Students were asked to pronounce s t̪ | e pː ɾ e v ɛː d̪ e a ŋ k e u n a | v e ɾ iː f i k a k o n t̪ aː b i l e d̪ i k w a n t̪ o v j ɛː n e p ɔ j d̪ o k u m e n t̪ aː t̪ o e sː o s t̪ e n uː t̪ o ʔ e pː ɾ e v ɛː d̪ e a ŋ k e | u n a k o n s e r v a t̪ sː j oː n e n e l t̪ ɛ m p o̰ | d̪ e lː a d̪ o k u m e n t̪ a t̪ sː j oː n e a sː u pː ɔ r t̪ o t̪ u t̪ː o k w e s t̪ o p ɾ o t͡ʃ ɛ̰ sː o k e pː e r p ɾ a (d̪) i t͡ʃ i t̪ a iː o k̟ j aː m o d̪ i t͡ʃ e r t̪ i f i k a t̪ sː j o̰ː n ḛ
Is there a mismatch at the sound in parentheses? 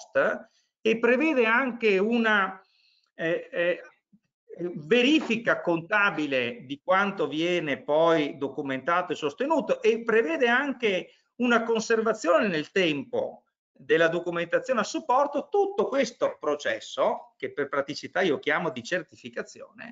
yes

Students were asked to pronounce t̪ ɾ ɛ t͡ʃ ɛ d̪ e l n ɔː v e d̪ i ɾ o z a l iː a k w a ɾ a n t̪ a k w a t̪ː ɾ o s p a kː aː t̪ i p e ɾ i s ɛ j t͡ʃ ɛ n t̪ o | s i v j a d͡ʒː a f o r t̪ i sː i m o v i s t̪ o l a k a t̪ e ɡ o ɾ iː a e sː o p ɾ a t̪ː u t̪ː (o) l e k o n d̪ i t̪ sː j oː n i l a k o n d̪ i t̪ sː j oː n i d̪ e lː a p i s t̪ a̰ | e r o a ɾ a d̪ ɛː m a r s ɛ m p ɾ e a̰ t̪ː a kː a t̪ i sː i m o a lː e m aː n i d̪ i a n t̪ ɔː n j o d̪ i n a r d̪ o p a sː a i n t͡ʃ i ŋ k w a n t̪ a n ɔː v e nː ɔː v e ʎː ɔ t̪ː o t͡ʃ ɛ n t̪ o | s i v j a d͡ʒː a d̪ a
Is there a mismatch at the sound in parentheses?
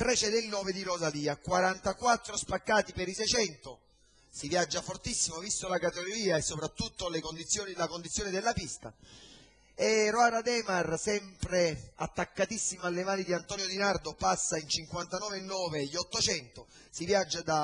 no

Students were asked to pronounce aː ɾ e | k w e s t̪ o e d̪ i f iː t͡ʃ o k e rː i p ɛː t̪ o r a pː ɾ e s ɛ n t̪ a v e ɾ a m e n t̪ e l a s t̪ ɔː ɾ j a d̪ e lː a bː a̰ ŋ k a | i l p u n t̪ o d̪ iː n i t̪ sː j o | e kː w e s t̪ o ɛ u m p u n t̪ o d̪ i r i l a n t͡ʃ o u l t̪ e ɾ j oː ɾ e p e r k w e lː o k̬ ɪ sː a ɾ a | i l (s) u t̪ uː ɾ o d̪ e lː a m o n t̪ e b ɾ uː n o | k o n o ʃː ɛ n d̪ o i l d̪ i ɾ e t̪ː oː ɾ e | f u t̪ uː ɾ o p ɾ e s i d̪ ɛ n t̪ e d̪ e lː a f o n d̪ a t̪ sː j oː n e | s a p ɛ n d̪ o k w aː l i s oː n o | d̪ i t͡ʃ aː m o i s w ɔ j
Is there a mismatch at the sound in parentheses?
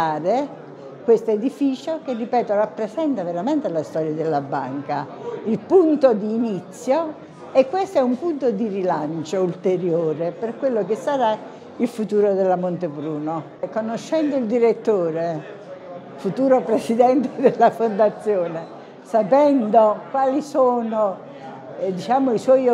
yes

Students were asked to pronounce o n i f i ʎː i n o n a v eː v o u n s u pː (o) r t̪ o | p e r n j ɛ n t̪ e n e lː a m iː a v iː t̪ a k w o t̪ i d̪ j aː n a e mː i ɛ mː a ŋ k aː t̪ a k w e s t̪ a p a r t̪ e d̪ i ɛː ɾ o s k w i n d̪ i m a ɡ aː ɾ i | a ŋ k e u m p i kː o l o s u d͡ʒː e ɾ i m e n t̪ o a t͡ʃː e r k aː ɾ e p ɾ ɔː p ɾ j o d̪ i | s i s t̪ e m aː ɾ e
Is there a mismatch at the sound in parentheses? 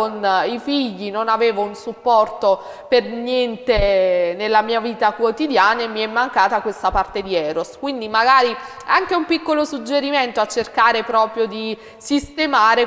yes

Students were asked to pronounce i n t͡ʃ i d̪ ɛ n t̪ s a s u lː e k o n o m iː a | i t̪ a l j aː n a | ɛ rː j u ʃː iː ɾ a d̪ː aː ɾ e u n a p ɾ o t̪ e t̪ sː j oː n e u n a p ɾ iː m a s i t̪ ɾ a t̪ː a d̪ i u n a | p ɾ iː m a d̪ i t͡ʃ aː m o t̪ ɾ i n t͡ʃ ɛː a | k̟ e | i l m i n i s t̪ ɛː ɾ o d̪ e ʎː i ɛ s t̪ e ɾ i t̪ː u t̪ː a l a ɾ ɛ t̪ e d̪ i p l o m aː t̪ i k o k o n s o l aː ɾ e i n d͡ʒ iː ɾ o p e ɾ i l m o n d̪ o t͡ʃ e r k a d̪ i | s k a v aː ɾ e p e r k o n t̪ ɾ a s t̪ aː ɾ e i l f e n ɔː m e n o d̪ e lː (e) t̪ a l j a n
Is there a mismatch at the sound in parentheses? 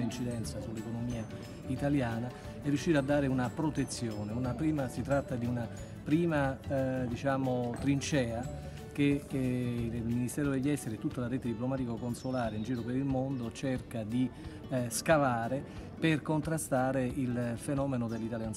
yes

